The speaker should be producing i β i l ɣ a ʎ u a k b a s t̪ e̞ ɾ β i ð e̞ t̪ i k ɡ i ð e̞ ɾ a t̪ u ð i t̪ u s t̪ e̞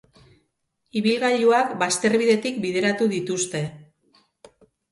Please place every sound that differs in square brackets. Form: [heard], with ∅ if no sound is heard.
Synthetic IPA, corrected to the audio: i β i l ɣ a ʎ u a k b a s t̪ e̞ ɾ β i ð e̞ t̪ i k [b] i ð e̞ ɾ a t̪ u ð i t̪ u s t̪ e̞

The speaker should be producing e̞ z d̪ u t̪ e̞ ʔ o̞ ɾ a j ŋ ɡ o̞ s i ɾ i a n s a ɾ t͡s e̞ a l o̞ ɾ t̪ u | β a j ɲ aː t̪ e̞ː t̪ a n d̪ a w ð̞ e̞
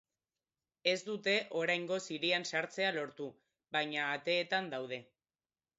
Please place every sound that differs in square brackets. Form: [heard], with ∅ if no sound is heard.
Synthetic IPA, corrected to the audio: e̞ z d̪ u t̪ e̞ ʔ o̞ ɾ a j ŋ ɡ o̞ s i ɾ i a n s a ɾ t͡s e̞ a l o̞ ɾ t̪ u | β a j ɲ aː t̪ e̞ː t̪ a n d̪ a w ð̞ e̞

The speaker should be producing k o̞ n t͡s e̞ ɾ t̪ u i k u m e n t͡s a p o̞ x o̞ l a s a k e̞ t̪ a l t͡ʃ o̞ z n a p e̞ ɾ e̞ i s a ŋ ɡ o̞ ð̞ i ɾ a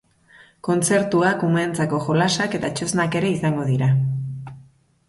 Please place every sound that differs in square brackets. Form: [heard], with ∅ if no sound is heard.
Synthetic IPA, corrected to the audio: k o̞ n t͡s e̞ ɾ t̪ u [a] k u m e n t͡s a [k] o̞ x o̞ l a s a k e̞ t̪ a [∅] t͡ʃ o̞ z n a [k] e̞ ɾ e̞ i s a ŋ ɡ o̞ ð̞ i ɾ a

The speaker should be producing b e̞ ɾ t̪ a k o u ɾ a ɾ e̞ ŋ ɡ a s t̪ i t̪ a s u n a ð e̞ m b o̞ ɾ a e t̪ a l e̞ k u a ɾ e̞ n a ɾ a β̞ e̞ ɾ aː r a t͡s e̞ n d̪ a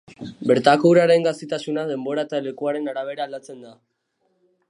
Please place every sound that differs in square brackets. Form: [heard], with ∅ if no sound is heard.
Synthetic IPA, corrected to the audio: b e̞ ɾ t̪ a k o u ɾ a ɾ e̞ ŋ ɡ a s t̪ i t̪ a s u n a ð e̞ m b o̞ ɾ a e t̪ a l e̞ k u a ɾ e̞ n a ɾ a β̞ e̞ ɾ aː [l] a t͡s e̞ n d̪ a

